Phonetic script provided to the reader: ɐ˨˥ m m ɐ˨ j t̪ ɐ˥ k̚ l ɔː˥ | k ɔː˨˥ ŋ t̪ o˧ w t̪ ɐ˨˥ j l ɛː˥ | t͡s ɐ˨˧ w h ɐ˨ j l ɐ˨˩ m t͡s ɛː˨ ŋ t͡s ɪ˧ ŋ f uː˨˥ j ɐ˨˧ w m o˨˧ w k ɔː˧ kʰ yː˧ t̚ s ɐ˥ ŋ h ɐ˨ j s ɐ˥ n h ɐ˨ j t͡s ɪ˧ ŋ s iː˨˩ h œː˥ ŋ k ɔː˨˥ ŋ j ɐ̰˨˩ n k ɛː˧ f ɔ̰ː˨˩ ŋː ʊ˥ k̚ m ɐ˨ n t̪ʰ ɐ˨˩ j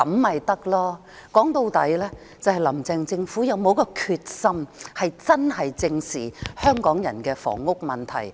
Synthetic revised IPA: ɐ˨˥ m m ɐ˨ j t̪ ɐ˥ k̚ l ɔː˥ | k ɔː˨˥ ŋ t̪ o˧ w t̪ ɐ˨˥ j l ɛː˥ | t͡s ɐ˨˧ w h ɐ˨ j l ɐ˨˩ m t͡s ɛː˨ ŋ t͡s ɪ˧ ŋ f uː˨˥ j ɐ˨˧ w m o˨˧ w k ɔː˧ kʰ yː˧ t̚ s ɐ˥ m h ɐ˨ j t͡s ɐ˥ n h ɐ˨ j t͡s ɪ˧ ŋ s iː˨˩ h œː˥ ŋ k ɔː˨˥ ŋ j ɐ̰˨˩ n k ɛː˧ f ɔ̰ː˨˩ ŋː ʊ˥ k̚ m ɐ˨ n t̪ʰ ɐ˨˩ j